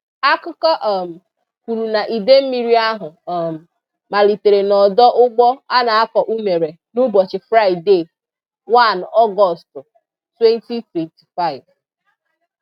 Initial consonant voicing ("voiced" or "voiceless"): voiceless